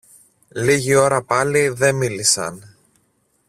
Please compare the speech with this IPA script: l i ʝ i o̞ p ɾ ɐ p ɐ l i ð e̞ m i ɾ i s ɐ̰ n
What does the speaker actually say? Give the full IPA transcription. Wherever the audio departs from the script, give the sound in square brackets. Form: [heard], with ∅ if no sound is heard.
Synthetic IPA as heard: l i ʝ i o̞ [∅] ɾ ɐ p ɐ l i ð e̞ m i [l] i s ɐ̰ n